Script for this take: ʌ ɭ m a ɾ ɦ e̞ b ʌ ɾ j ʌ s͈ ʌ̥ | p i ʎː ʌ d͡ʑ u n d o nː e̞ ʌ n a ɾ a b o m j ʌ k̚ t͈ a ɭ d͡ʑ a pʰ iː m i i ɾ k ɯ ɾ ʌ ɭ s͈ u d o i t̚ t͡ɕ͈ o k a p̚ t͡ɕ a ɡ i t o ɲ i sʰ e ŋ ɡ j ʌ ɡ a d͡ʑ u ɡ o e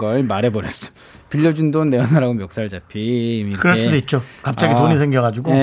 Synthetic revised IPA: ʌ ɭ m a ɾ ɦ e̞ b ʌ ɾ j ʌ s͈ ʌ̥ | p i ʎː ʌ d͡ʑ u n d o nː e̞ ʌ n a ɾ a ɡ o m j ʌ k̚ s͈ a ɭ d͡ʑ a pʰ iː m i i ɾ k ɯ ɾ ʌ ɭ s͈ u d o i t̚ t͡ɕ͈ o k a p̚ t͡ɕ a ɡ i t o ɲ i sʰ e ŋ ɡ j ʌ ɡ a d͡ʑ u ɡ o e